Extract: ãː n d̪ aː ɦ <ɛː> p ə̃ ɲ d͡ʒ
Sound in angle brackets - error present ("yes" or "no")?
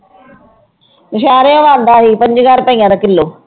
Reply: yes